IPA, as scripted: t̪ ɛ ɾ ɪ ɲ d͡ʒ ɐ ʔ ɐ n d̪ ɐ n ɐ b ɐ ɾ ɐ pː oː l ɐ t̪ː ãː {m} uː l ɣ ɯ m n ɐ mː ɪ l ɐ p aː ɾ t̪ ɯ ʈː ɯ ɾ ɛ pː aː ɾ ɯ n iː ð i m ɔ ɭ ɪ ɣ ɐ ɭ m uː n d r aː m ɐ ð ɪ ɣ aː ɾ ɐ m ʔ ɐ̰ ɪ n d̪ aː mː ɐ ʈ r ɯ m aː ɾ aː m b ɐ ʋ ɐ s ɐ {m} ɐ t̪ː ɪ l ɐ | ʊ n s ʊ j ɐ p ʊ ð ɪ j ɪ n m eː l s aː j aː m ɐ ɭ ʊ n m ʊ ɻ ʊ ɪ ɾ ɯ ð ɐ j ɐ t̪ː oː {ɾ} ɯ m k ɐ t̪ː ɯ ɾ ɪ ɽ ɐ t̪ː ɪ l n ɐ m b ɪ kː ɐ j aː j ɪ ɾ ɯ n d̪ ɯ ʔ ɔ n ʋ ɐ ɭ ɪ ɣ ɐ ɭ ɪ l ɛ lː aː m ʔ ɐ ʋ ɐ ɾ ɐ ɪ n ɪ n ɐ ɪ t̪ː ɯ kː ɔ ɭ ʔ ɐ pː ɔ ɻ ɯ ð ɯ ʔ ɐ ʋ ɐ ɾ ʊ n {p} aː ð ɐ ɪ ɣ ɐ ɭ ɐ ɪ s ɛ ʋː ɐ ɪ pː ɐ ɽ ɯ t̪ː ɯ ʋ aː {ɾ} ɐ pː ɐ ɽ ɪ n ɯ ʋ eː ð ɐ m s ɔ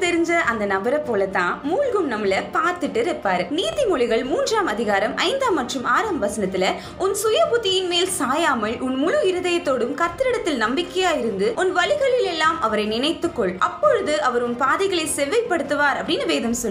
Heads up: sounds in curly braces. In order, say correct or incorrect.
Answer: correct, incorrect, incorrect, correct, correct

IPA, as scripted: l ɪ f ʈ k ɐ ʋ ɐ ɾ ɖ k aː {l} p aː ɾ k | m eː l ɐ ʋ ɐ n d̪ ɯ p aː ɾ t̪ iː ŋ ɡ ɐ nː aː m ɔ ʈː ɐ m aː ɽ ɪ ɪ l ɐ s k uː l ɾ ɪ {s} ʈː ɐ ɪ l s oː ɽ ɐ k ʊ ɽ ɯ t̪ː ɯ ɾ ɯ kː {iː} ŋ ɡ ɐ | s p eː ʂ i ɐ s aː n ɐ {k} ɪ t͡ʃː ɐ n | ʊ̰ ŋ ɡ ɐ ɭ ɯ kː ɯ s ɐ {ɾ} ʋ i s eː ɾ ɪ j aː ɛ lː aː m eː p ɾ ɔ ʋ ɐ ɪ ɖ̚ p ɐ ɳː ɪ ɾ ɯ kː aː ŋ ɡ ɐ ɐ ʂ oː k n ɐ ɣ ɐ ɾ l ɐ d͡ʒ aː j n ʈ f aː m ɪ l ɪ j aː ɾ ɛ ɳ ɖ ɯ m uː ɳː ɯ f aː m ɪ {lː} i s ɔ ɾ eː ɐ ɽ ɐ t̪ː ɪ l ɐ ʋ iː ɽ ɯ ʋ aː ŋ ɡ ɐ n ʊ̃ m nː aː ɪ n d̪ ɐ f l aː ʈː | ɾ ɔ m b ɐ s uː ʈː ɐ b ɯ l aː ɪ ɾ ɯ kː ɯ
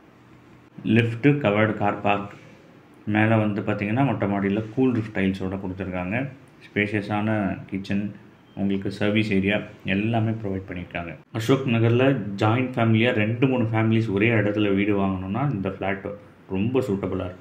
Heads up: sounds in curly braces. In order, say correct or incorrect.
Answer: incorrect, incorrect, incorrect, correct, correct, incorrect

